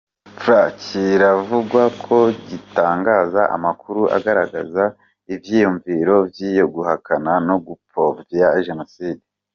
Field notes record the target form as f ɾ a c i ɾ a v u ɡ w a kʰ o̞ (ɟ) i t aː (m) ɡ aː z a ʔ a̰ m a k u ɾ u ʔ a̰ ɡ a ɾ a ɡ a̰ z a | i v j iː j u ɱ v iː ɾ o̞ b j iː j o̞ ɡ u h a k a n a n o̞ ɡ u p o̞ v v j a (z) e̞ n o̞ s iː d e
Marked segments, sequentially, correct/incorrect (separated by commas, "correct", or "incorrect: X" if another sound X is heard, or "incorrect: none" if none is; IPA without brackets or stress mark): correct, incorrect: ŋ, incorrect: ʒ